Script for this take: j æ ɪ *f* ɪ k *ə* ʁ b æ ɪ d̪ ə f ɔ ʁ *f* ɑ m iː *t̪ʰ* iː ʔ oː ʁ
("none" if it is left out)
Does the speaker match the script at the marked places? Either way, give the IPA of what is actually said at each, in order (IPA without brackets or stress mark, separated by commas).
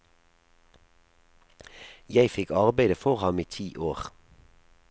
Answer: f, ɑ, h, t̪ʰ